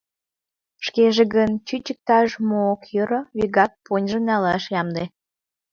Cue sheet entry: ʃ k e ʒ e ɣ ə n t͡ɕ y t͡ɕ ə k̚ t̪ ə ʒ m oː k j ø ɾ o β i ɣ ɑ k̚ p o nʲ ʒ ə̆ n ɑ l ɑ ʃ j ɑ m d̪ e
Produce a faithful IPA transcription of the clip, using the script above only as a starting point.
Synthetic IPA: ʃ k e ʒ e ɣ ə n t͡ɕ y t͡ɕ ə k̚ t̪ ɑ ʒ m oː k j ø ɾ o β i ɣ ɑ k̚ p o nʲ ʒ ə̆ n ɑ l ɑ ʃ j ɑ m d̪ e